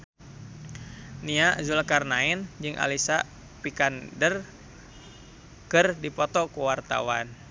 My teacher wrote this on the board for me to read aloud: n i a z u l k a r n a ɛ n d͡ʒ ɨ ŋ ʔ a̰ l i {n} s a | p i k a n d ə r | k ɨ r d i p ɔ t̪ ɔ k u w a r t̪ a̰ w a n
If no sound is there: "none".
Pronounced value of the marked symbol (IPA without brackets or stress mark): none